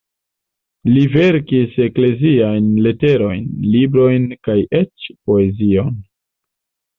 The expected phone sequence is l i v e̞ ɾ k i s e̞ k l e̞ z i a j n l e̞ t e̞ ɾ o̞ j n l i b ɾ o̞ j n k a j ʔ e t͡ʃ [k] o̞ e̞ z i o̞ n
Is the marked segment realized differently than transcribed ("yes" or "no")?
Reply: yes